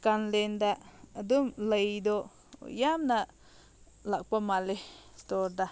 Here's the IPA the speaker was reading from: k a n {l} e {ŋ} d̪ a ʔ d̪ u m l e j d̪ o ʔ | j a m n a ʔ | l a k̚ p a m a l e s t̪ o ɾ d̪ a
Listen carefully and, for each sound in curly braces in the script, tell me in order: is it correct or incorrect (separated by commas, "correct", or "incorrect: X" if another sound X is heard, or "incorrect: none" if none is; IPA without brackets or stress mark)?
correct, incorrect: n